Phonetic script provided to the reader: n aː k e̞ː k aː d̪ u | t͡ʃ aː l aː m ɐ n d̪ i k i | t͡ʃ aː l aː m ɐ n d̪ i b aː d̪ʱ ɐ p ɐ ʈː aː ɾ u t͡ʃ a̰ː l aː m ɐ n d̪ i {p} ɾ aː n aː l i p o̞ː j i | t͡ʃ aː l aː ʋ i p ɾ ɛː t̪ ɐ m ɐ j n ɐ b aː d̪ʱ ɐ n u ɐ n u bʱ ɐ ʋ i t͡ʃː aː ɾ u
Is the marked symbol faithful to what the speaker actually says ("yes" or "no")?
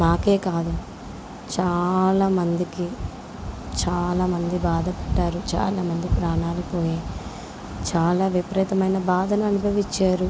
yes